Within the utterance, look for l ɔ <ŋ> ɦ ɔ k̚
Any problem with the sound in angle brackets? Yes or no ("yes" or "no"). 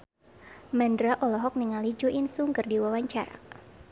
yes